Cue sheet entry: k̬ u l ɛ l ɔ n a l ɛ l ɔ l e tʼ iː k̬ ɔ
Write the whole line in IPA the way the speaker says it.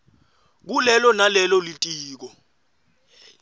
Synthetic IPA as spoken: k̬ u l ɛ l ɔ n a l ɛ l ɔ l i tʼ iː k̬ ɔ